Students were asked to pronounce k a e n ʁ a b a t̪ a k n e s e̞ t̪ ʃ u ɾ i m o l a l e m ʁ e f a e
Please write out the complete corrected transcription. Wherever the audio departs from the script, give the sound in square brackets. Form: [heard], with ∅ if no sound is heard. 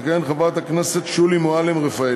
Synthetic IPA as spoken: k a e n [χ] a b a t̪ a k n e s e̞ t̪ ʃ u [l] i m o [∅] a l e m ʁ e f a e